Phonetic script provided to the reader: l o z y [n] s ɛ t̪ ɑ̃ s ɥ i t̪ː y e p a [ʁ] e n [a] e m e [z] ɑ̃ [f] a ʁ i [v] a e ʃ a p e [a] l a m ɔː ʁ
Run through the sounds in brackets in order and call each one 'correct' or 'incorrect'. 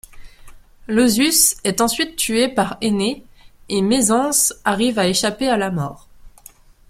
incorrect: none, correct, incorrect: e, correct, incorrect: s, correct, correct

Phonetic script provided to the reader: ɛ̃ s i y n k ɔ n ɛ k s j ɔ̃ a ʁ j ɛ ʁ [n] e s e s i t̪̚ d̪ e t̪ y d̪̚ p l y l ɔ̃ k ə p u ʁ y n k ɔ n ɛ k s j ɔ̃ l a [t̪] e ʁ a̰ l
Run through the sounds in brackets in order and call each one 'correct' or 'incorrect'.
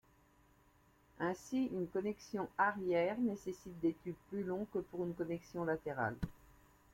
correct, correct

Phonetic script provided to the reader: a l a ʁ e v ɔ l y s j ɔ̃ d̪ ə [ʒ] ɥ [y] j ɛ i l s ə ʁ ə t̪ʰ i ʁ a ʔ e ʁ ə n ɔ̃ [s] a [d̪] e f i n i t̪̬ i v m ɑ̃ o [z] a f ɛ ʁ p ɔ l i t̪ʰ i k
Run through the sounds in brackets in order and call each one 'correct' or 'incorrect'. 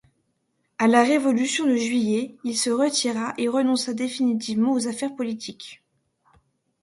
correct, incorrect: i, correct, correct, correct

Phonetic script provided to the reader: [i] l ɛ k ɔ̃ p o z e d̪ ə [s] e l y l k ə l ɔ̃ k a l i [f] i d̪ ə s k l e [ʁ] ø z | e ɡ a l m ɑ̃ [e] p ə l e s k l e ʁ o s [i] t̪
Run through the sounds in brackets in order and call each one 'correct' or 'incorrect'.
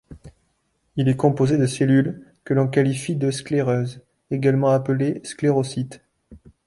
correct, correct, correct, correct, incorrect: a, correct

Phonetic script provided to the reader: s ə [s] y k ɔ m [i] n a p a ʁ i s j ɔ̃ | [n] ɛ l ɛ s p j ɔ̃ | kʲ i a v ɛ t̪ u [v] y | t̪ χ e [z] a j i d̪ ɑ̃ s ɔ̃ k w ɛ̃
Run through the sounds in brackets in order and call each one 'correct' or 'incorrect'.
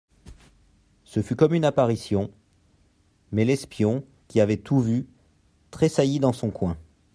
incorrect: f, incorrect: y, incorrect: m, correct, incorrect: s

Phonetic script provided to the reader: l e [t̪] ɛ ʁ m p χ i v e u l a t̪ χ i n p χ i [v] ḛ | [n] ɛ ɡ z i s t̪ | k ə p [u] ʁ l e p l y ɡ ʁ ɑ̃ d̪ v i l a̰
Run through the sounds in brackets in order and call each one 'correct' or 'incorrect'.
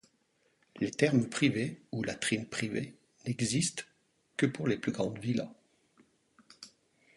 correct, correct, correct, correct

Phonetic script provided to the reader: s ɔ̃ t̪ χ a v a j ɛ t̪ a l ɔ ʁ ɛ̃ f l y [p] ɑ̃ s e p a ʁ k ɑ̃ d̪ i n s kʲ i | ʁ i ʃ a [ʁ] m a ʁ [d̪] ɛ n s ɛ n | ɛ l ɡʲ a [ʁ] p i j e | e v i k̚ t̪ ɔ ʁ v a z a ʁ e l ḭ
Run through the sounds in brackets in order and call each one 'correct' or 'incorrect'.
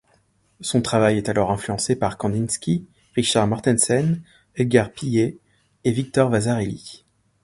incorrect: none, correct, incorrect: t̪, correct

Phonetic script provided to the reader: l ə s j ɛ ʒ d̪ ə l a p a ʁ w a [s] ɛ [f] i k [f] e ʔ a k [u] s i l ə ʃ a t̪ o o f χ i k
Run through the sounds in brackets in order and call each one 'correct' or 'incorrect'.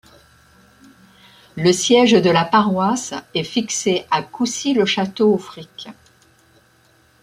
correct, correct, incorrect: s, correct

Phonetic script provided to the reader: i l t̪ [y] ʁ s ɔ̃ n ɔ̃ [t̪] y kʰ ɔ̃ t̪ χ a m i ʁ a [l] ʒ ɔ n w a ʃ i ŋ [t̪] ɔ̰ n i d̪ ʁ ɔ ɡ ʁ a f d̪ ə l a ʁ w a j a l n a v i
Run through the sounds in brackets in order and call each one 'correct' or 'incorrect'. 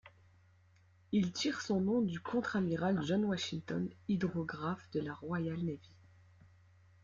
incorrect: i, incorrect: d̪, correct, correct

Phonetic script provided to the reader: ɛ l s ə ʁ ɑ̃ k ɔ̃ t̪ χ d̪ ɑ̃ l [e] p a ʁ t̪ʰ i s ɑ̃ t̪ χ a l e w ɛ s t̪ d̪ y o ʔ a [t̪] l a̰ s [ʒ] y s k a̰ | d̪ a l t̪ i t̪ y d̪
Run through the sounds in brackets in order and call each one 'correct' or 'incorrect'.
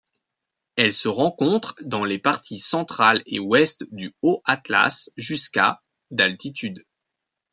correct, correct, correct

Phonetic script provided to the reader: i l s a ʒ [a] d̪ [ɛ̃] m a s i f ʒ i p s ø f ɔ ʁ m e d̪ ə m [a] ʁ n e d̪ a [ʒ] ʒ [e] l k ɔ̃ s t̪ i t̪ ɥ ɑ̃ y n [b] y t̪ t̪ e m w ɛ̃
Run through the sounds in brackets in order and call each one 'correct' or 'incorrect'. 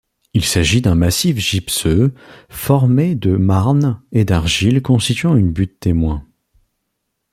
incorrect: i, correct, correct, incorrect: ʁ, incorrect: i, correct

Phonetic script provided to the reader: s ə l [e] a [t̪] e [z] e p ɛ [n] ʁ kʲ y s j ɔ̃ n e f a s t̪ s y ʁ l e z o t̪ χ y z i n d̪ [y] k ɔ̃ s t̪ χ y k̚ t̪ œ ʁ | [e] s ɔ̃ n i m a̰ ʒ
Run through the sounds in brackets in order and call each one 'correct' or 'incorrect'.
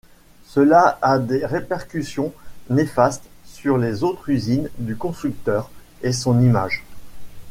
incorrect: a, incorrect: d̪, incorrect: ʁ, incorrect: none, correct, correct

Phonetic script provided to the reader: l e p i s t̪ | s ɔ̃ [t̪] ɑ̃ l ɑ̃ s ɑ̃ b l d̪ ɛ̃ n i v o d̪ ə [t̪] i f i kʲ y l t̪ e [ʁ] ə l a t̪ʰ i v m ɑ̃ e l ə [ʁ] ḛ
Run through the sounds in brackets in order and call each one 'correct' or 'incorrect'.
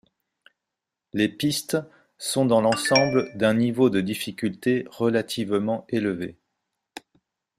incorrect: d̪, incorrect: d̪, correct, incorrect: v

